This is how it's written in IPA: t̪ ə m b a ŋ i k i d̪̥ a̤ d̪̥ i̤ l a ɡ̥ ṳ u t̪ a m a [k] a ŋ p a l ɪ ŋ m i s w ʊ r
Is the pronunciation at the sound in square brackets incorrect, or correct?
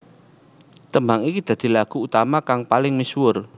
correct